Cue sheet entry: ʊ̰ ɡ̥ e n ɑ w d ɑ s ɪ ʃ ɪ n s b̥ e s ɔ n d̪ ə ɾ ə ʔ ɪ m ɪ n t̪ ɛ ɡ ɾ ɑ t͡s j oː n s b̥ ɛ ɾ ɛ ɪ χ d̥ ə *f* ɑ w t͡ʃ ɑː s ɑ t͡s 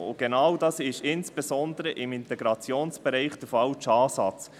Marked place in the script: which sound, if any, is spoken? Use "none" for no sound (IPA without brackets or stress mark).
f